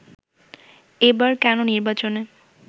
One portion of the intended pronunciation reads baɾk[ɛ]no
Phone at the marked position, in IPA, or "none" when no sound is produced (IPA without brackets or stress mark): ɛ